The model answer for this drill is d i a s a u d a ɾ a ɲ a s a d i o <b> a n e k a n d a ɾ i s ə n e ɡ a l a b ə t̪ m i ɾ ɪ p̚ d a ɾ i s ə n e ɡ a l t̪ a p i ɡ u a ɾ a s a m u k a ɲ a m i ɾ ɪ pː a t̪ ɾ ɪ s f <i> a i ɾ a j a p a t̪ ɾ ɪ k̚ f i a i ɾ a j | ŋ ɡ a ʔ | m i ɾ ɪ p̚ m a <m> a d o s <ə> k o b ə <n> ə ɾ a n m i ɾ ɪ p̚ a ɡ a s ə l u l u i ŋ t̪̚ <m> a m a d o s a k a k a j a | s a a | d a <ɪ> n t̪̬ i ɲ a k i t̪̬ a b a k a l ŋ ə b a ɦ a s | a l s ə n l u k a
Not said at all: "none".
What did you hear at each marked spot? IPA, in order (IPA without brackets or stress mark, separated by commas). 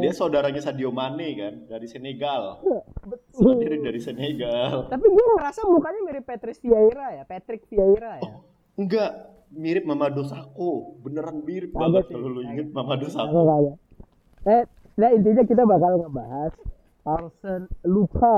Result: m, i, m, a, n, m, i